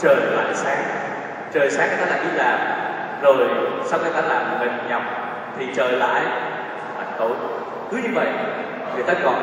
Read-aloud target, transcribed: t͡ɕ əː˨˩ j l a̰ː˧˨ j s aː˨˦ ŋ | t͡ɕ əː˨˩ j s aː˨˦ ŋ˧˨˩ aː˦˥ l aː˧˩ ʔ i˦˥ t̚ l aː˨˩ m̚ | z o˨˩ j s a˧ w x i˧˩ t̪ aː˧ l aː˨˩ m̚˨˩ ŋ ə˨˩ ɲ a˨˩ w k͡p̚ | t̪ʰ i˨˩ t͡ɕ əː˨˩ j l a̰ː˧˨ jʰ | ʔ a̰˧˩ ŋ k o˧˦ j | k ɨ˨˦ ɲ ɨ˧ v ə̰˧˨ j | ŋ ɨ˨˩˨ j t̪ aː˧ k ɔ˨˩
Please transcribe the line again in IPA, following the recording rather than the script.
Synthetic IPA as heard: t͡ɕ əː˨˩ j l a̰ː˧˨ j s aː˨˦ ŋ | t͡ɕ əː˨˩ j s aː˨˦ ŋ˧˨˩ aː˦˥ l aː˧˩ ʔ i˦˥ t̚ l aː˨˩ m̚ | z o˨˩ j s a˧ w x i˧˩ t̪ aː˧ l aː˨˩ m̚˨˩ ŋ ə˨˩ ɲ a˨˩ w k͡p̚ | t̪ʰ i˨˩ t͡ɕ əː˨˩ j l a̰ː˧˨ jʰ | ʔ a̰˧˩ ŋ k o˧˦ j | k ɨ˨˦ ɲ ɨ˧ v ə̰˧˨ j | ŋ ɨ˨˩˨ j t̪ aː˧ k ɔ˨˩